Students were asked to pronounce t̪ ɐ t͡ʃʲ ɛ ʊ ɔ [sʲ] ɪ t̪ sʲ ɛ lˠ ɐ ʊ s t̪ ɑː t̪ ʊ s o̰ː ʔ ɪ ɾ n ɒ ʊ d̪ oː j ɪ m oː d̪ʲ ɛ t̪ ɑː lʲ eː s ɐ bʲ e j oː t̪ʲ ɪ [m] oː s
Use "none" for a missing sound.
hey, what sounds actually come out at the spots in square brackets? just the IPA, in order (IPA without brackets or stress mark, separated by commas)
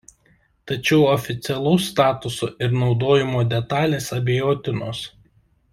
fʲ, n